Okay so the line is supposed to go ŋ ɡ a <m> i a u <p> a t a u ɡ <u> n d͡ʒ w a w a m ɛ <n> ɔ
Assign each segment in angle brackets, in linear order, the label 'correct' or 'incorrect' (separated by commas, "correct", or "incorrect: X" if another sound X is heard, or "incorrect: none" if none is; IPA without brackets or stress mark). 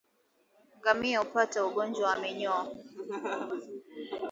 correct, correct, incorrect: ɔ, incorrect: ɲ